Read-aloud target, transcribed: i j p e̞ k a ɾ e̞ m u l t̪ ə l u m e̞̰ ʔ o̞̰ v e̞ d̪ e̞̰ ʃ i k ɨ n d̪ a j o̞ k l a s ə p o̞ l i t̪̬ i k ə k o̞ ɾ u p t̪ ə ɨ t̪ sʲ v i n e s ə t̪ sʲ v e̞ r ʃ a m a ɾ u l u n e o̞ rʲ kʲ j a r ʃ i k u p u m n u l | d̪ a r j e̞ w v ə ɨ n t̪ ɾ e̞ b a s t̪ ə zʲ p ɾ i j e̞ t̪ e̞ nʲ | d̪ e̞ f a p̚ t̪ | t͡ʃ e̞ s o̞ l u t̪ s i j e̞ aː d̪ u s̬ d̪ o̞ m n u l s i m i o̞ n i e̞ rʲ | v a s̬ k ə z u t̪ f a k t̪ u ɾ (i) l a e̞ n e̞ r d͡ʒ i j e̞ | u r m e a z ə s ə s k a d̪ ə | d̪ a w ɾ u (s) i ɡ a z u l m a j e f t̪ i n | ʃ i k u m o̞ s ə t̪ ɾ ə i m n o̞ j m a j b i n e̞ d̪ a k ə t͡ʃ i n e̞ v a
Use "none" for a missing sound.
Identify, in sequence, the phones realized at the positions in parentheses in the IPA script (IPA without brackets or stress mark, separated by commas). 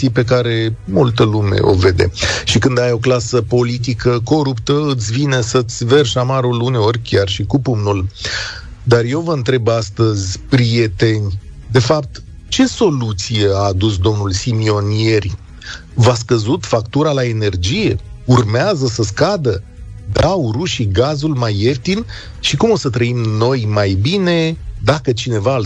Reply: a, ʃ